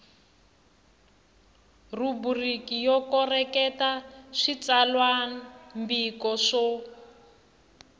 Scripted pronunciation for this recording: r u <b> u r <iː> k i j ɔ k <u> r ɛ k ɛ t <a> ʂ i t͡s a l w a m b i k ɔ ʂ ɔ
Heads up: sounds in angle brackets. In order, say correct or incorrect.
correct, incorrect: i, incorrect: ɔ, correct

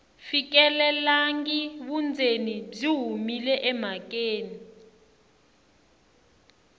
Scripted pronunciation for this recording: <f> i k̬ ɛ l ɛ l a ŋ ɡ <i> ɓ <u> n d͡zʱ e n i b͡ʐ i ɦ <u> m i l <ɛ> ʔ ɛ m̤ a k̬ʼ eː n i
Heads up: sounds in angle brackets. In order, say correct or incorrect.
correct, correct, correct, correct, correct

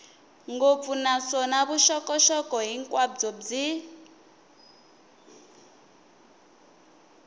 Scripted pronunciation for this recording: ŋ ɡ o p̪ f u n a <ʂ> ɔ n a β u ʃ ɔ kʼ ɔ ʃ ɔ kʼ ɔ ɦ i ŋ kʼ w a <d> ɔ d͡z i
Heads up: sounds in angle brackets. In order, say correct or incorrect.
incorrect: s, incorrect: d͡z

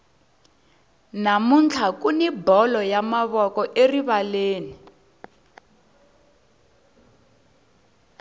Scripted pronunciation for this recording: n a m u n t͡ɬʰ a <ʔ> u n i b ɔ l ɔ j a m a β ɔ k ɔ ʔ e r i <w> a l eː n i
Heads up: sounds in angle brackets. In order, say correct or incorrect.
incorrect: k, incorrect: β

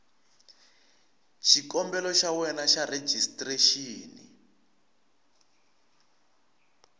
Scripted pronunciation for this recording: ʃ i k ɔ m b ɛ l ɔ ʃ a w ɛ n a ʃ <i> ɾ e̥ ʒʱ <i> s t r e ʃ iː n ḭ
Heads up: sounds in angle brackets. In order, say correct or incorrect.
incorrect: a, correct

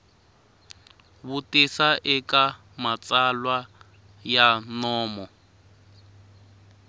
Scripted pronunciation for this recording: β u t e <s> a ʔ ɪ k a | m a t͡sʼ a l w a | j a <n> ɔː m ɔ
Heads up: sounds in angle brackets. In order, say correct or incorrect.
correct, correct

